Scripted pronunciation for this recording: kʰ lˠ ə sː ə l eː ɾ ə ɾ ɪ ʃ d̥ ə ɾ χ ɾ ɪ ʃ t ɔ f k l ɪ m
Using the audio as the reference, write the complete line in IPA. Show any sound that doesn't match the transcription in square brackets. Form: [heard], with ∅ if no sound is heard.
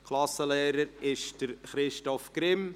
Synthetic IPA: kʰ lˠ [ɑ] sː ə l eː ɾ ə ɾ ɪ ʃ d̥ ə ɾ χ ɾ ɪ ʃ t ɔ f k [ɾ] ɪ m